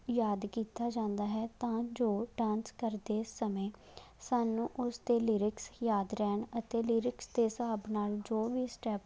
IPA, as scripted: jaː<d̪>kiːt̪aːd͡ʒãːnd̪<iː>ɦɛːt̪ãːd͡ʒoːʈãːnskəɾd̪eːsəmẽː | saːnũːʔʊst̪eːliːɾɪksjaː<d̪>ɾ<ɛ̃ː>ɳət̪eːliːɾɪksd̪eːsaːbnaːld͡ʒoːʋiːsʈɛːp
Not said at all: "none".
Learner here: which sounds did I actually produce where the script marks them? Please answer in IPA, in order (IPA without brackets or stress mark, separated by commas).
d̪, aː, d̪, ɛː